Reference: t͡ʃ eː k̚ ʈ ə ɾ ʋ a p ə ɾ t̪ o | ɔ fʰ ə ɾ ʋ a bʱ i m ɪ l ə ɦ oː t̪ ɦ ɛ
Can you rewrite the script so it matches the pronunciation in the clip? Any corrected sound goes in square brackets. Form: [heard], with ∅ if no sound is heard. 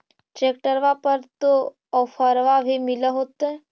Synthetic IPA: t͡ʃ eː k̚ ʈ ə ɾ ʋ a p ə ɾ t̪ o | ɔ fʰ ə ɾ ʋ a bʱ i m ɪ l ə ɦ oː t̪ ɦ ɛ